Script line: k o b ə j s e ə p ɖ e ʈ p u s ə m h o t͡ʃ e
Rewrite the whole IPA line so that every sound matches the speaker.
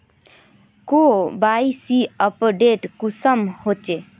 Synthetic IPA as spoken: k o b a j s i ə p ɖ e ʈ k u s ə m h o t͡ʃ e